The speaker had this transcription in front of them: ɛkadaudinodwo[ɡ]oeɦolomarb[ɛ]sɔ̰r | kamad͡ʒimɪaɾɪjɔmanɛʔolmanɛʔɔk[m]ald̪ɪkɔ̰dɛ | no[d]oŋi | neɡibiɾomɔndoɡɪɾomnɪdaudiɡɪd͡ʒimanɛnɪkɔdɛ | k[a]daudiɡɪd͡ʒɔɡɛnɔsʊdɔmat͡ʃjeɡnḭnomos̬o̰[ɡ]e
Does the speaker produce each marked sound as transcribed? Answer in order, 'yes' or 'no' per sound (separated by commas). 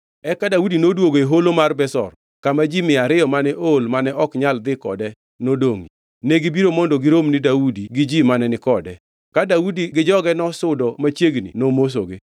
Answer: yes, yes, no, yes, yes, yes